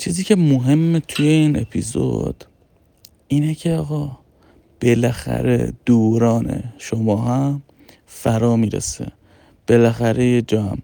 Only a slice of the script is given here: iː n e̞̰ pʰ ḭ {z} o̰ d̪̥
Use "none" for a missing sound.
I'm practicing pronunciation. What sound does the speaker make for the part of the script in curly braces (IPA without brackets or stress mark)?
z